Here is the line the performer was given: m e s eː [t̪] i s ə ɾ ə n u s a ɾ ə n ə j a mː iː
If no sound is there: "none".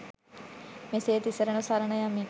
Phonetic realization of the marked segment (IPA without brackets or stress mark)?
t̪